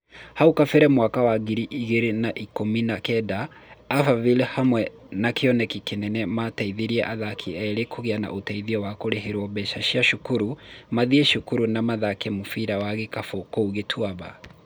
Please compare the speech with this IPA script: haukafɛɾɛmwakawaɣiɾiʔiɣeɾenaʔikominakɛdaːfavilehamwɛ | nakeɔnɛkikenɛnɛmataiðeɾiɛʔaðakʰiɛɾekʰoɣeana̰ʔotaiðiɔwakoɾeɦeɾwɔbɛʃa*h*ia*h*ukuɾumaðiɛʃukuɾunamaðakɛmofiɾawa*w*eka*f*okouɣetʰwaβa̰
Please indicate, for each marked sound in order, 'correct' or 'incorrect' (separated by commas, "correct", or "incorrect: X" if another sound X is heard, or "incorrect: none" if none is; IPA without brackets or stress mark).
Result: incorrect: ʃ, incorrect: ʃ, incorrect: ɣ, correct